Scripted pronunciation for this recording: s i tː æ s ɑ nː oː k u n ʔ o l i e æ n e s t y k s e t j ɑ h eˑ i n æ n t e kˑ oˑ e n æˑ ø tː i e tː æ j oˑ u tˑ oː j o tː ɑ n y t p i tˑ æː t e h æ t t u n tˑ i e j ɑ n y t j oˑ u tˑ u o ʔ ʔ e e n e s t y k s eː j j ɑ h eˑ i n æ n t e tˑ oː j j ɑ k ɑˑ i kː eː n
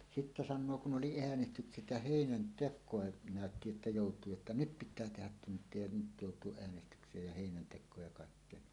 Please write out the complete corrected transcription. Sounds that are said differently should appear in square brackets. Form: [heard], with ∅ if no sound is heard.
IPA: s i tː æ s ɑ nː oː k u n ʔ o l i e æ n e s t y k s e t j ɑ h eˑ i n æ n t e kˑ oˑ e n æˑ ø tː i e tː æ j oˑ u tˑ [uː] j o tː ɑ n y t p i tˑ æː t e h æ t t u n tˑ i e j ɑ n y t j oˑ u tˑ u o ʔ ʔ e [æ] n e s t y k s eː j j ɑ h eˑ i n æ n t e [kˑ] oː j j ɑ k ɑˑ i kː eː n